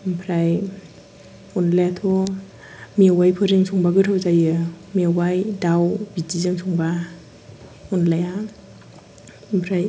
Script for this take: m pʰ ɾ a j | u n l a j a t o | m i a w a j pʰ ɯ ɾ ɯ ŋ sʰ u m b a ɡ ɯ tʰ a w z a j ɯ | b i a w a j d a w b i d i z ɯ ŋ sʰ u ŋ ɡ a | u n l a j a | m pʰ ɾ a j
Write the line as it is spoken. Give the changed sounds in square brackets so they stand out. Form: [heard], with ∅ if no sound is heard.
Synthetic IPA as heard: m pʰ ɾ a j | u n l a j a [tʰ] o | m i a w a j pʰ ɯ ɾ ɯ ŋ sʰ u [ŋ] b a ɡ ɯ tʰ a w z a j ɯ | [m] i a w a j d a w b i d i z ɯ ŋ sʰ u ŋ [b] a | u n l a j a | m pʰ ɾ a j